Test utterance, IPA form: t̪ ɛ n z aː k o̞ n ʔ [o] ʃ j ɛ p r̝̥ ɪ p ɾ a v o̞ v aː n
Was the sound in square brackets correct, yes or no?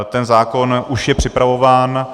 no